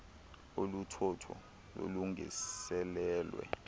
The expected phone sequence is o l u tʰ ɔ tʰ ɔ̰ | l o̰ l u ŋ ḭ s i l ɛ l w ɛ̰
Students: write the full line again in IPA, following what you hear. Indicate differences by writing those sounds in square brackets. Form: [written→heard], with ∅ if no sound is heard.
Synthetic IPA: o l u tʰ ɔ tʰ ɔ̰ | l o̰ l u ŋ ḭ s [i→ɛ] l [ɛ→ɛː] l w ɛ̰